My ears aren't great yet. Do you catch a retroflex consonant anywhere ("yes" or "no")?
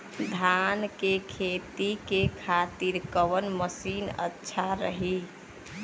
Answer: no